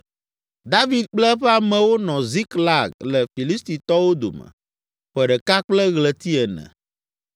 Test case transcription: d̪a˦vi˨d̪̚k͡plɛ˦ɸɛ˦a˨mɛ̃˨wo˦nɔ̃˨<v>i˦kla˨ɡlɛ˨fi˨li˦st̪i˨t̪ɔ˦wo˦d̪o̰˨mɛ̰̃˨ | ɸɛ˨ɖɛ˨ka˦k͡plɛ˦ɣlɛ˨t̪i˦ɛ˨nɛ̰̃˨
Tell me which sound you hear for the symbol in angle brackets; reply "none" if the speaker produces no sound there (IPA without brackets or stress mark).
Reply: z